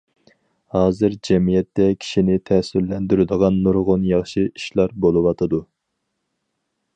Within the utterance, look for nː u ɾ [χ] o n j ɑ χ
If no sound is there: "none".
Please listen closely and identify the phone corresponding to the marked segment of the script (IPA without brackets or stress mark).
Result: ʁ